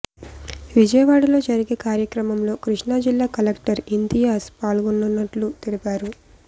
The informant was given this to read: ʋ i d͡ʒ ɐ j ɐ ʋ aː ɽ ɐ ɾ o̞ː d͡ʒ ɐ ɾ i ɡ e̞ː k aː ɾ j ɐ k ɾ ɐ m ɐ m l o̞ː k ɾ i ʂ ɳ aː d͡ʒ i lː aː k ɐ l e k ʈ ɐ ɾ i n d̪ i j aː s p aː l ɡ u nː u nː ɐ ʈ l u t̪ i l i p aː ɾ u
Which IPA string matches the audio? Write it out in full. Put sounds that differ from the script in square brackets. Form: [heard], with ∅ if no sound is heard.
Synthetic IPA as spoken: ʋ i d͡ʒ ɐ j ɐ ʋ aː ɽ ɐ [l] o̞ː d͡ʒ ɐ ɾ i ɡ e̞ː k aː ɾ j ɐ k ɾ ɐ m ɐ m l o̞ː k ɾ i ʂ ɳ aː d͡ʒ i lː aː k ɐ l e k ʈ ɐ ɾ i n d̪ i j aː s p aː l ɡ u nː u nː ɐ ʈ l u t̪ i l i p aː ɾ u